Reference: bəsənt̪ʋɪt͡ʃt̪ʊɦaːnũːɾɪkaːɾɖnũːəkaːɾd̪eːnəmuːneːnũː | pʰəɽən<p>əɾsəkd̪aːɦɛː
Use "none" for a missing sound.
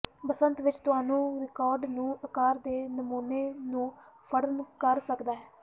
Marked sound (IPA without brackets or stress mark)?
k